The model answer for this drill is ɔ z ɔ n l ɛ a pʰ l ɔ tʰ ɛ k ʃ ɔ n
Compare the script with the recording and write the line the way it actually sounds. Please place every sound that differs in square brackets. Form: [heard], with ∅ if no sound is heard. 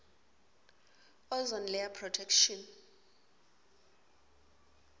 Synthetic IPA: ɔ z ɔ n l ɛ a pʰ [r] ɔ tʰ ɛ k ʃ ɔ n